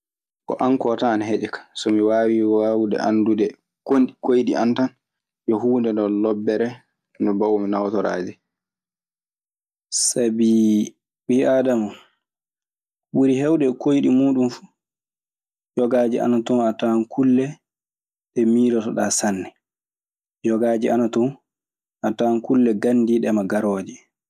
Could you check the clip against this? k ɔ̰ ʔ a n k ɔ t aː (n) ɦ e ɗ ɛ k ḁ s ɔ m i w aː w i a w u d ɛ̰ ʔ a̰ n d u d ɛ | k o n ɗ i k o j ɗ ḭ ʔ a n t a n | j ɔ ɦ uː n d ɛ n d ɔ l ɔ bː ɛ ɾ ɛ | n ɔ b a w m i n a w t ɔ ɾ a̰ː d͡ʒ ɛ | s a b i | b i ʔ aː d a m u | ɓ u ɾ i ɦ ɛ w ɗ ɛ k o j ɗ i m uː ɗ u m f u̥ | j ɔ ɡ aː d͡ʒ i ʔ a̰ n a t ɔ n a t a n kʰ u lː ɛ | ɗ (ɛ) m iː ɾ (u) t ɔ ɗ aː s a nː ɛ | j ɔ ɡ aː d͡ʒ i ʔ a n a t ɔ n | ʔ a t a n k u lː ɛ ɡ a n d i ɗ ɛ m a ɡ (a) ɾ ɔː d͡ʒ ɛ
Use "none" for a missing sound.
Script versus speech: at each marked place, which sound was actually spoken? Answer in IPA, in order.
n, ɛ, ɔ, a

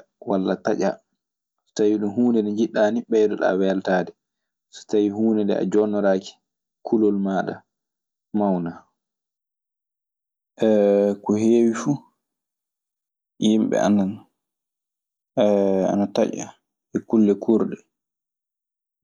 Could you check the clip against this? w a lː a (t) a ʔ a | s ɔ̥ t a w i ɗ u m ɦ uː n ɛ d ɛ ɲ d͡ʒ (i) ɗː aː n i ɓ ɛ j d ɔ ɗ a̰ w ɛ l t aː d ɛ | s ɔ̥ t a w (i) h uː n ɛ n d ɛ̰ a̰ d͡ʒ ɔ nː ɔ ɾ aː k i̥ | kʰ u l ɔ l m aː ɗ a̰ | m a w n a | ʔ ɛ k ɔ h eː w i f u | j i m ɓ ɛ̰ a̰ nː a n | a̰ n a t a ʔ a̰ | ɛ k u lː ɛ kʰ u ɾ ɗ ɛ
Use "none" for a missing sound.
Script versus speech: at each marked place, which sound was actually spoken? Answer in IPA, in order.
t, i, i

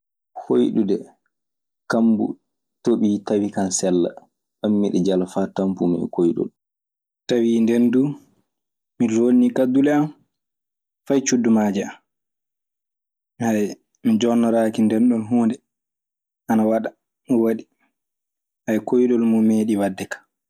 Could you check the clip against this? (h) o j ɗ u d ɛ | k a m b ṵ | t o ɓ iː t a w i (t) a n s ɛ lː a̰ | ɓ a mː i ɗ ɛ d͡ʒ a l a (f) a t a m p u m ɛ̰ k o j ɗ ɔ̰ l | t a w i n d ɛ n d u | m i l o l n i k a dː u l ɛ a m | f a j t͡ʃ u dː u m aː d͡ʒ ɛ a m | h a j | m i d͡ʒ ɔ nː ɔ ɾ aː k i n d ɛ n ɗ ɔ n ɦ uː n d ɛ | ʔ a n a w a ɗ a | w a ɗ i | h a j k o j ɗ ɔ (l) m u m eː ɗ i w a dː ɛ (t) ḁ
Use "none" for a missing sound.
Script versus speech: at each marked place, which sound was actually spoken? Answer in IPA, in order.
h, k, f, l, k

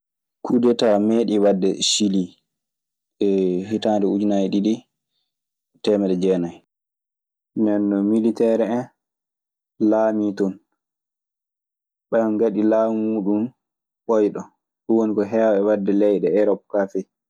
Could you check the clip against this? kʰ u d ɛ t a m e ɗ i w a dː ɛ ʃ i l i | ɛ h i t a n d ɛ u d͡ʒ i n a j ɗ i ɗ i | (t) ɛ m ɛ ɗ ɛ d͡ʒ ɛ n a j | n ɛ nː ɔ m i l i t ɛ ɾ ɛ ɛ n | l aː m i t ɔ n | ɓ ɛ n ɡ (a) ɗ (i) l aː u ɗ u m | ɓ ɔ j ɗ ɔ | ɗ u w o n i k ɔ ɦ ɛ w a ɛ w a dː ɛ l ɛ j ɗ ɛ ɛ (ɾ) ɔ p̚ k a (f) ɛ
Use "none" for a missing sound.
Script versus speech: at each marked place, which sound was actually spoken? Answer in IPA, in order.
t, a, i, ɾ, f

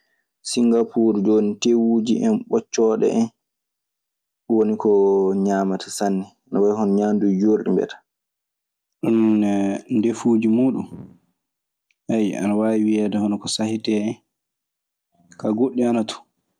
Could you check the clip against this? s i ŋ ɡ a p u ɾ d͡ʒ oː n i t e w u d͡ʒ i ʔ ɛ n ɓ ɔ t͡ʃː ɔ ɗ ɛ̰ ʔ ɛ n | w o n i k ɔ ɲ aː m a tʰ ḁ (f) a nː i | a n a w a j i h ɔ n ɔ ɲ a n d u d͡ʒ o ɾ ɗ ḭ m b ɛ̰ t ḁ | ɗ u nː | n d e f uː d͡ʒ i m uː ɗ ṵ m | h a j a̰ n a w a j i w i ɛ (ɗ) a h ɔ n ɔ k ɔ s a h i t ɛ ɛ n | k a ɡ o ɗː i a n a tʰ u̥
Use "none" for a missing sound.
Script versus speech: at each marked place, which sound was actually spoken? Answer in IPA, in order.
s, d

